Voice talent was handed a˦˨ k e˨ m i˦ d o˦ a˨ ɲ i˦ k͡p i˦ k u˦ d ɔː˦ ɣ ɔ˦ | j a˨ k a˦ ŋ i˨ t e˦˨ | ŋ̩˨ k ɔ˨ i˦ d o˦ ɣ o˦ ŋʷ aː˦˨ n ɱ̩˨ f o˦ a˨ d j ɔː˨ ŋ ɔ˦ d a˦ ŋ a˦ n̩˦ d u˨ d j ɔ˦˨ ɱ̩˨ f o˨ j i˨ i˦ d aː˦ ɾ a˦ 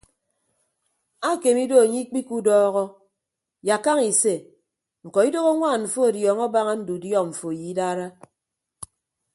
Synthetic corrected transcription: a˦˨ k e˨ m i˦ d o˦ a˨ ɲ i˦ k͡p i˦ k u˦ d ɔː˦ ɣ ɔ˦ | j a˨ k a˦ ŋ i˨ s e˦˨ | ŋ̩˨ k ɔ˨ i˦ d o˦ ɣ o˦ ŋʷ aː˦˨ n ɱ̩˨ f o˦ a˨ d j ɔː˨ ŋ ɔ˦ b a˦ ŋ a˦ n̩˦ d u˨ d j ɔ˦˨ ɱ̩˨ f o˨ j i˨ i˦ d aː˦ ɾ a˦